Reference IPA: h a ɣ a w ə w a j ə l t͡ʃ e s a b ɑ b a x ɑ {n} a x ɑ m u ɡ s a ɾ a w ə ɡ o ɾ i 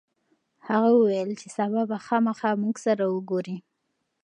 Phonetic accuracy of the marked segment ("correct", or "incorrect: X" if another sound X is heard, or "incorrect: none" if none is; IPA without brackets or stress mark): incorrect: m